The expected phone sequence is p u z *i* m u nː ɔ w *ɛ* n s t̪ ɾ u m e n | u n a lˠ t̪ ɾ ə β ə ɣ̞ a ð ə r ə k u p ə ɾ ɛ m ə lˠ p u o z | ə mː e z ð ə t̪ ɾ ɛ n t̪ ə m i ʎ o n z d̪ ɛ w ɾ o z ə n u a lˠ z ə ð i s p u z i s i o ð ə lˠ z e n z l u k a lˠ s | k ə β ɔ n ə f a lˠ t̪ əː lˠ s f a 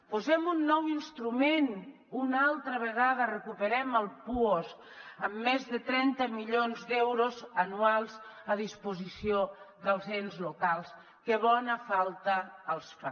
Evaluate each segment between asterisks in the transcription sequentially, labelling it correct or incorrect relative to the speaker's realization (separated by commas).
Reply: incorrect, incorrect